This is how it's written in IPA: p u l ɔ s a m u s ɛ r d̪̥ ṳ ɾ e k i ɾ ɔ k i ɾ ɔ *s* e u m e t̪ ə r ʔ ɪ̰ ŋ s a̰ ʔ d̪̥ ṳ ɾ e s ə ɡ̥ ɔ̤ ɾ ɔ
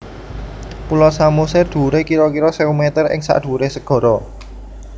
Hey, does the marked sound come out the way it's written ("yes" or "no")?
yes